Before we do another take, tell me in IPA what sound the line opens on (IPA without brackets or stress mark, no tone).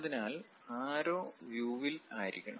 ð